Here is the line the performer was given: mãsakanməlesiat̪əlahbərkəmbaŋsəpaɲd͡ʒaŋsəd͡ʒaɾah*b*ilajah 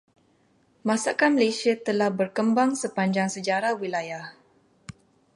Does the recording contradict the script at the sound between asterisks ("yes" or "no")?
yes